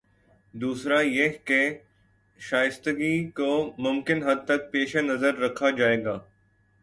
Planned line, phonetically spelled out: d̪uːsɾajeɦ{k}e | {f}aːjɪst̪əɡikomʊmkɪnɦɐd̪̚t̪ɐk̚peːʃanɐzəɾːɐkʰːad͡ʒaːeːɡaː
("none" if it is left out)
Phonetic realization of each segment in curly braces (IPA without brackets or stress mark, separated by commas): k, ʃ